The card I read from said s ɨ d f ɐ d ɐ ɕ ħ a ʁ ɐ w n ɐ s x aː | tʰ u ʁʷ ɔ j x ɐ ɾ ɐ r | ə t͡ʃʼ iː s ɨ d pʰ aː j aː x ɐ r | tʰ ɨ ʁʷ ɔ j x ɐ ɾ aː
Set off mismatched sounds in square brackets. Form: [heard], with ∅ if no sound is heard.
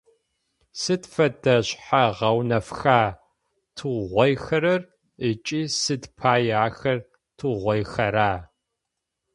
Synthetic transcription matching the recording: s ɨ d f ɐ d ɐ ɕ ħ a ʁ ɐ w n ɐ [f] x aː | tʰ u ʁʷ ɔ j x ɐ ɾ ɐ r | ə t͡ʃʼ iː s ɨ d pʰ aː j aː x ɐ r | tʰ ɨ ʁʷ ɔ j x ɐ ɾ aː